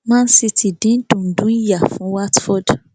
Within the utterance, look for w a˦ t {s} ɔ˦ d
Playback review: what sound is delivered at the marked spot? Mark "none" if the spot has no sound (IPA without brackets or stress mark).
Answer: f